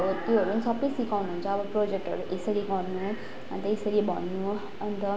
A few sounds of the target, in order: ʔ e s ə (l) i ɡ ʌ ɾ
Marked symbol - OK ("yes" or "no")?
no